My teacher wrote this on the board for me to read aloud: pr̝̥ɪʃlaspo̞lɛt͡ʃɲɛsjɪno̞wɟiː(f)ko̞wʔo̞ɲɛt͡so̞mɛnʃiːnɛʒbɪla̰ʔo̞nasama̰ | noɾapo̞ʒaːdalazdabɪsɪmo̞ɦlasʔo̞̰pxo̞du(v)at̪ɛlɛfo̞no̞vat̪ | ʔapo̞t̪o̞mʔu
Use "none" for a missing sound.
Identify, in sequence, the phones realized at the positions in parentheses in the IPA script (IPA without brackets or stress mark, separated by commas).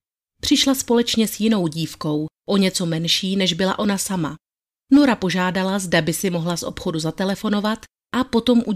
f, z